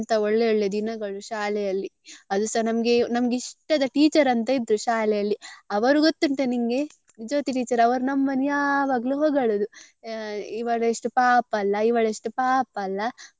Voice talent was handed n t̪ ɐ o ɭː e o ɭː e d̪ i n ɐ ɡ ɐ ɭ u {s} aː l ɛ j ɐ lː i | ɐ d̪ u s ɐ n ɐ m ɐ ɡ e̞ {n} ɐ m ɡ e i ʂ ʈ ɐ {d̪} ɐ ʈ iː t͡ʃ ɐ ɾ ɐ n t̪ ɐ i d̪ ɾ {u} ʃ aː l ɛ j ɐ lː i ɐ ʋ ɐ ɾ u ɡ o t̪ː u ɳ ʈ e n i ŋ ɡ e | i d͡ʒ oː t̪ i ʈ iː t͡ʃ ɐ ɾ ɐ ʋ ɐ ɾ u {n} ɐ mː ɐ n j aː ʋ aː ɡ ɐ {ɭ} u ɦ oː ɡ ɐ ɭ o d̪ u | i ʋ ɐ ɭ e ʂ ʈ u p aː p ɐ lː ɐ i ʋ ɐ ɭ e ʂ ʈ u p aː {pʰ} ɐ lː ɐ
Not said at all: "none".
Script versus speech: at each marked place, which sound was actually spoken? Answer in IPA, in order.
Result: ʃ, n, d̪, u, n, l, p

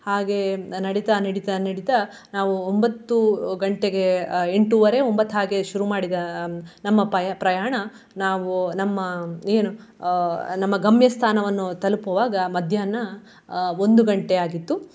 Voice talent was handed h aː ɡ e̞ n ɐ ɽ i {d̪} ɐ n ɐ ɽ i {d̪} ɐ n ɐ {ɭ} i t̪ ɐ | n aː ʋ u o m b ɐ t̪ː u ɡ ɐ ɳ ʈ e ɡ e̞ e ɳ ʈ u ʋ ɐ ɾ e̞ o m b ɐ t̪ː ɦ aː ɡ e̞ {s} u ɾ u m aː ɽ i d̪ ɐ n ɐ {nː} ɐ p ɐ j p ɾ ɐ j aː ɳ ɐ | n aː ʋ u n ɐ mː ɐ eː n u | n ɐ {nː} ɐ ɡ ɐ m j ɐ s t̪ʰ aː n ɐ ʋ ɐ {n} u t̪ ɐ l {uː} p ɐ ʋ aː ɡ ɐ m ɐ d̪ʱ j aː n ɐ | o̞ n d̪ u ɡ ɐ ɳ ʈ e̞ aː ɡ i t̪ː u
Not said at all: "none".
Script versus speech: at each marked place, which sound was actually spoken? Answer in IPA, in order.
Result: t̪, t̪, ɽ, ʃ, mː, mː, nː, u

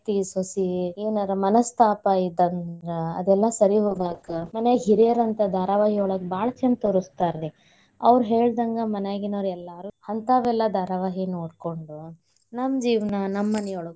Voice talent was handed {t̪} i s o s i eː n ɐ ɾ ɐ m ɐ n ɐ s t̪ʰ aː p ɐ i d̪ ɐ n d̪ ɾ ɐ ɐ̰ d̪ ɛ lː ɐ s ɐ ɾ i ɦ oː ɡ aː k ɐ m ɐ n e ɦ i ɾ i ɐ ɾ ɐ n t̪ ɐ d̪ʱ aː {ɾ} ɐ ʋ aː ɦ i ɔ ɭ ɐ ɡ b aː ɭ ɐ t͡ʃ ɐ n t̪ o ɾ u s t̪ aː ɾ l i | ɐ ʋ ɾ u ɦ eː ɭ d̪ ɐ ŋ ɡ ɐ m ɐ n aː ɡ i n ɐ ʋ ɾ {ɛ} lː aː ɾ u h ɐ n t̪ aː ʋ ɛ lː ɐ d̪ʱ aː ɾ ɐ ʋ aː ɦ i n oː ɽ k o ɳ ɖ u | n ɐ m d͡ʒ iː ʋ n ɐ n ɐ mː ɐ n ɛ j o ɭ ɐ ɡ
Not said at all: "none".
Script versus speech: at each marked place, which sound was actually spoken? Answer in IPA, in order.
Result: t̪, ɾ, ɛ

